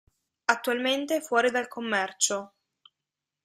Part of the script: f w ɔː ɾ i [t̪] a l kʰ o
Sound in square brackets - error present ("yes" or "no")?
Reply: yes